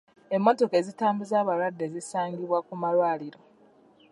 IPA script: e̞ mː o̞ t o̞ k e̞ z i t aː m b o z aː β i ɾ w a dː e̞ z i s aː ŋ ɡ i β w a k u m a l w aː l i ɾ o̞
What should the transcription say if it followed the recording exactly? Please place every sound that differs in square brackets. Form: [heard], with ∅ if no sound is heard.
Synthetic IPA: e̞ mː o̞ t o̞ k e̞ z i t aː m b [u] z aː β [a] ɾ w a dː e̞ z i s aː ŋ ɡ i β w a k u m a l w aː l i ɾ o̞